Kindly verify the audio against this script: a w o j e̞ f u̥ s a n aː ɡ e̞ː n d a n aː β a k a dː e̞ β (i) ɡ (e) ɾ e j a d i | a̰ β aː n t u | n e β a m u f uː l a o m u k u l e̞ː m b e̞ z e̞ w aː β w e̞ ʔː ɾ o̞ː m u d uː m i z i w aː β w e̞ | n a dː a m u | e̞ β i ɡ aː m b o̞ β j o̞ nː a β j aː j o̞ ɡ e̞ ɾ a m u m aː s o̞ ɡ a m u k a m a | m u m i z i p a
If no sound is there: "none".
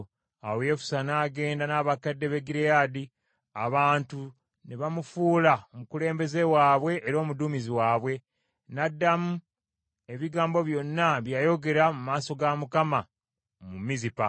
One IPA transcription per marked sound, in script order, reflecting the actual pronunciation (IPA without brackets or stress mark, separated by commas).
e, i